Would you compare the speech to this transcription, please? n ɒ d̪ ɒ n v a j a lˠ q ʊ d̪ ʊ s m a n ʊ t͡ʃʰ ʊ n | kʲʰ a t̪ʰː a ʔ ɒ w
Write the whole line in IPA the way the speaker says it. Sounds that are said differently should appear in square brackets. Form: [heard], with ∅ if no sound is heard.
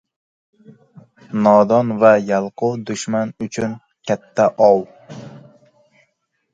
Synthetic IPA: n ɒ d̪ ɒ n v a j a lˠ q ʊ d̪ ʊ [ʃ] m a n ʊ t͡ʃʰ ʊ n | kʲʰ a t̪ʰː a ʔ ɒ w